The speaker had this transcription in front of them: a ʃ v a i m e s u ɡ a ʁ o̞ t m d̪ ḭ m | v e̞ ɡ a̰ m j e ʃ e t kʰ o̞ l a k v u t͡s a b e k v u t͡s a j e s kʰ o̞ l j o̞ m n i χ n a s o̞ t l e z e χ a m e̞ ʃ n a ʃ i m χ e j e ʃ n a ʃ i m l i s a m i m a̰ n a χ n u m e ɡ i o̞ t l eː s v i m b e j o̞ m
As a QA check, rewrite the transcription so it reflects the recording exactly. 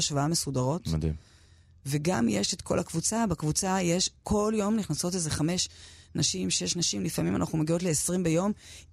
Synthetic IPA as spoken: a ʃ v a a m e s u d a ʁ o̞ t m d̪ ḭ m | v e̞ ɡ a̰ m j e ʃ e t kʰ o̞ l a k v u t͡s a b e k v u t͡s a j e ʃ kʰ o̞ l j o̞ m n i χ n a s o̞ t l e z e χ a m e̞ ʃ n a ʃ i m ʃ e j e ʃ n a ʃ i m l i f a m i m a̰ n a χ n u m e ɡ i o̞ t l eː s ʁ i m b e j o̞ m